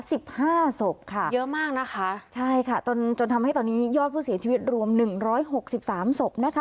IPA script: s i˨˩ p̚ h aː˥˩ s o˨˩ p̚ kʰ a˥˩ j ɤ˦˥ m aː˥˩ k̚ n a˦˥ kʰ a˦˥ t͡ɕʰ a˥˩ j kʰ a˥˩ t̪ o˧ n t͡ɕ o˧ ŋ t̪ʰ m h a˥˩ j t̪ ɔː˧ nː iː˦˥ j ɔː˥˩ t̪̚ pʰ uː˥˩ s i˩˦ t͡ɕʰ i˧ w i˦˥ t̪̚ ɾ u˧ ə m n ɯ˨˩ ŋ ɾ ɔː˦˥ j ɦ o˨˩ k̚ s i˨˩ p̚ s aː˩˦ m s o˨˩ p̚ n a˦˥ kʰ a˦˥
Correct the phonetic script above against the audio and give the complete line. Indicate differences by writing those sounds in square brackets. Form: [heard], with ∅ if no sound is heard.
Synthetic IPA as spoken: s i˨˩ p̚ h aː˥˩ s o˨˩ p̚ kʰ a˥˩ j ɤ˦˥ m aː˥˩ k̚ n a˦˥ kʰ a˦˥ t͡ɕʰ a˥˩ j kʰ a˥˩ t̪ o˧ n t͡ɕ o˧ [n] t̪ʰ m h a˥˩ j t̪ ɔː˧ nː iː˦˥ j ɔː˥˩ t̪̚ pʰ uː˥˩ s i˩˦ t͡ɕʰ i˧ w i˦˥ t̪̚ ɾ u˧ ə m n ɯ˨˩ ŋ ɾ ɔː˦˥ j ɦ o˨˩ k̚ s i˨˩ p̚ s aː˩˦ m s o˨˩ p̚ n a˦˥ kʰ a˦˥